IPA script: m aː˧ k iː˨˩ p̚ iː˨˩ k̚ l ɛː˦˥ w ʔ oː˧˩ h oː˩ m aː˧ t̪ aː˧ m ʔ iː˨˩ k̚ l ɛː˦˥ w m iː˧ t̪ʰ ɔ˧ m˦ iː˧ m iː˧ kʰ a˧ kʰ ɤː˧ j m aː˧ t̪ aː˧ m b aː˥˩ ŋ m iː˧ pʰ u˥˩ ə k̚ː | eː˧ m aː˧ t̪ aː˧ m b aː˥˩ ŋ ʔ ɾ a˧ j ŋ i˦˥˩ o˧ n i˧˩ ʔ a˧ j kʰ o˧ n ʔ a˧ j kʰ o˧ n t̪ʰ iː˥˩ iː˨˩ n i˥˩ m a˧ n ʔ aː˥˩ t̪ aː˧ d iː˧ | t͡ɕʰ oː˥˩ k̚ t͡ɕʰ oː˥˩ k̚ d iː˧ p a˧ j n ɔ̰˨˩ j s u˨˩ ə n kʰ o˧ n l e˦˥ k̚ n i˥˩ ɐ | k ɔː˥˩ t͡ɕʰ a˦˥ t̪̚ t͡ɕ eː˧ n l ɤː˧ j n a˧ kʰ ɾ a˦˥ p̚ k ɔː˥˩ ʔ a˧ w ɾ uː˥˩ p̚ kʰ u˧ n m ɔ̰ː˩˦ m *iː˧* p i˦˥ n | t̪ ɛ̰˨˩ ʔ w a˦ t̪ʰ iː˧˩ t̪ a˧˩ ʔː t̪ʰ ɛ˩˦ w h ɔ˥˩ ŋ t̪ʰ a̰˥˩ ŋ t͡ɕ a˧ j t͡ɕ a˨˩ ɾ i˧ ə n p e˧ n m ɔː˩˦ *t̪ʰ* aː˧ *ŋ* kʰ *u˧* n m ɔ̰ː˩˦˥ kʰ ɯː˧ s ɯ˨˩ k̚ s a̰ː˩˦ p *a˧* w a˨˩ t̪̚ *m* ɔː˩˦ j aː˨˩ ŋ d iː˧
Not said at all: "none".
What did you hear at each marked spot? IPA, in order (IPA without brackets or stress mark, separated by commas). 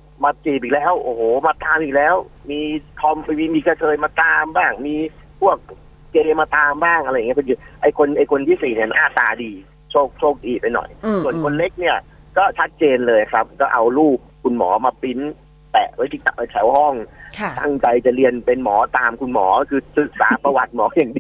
aː˧, t̪, m, u˧, a˧, m